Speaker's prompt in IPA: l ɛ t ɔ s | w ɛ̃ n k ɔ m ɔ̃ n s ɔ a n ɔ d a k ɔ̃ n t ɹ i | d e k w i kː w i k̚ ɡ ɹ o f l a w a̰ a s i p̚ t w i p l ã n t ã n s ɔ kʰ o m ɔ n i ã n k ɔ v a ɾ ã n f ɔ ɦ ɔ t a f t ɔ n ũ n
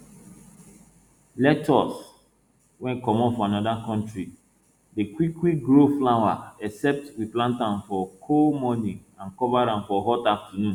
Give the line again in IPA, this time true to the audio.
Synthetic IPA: l ɛ t ɔ s | w ɛ̃ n k ɔ m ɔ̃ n f ɔ a n ɔ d a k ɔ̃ n t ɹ i | d e k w i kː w i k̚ ɡ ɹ o f l a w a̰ ɛ s ɛ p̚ t w i p l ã n t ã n f ɔ kʰ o m ɔ n i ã n k ɔ v a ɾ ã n f ɔ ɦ ɔ t a f t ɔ n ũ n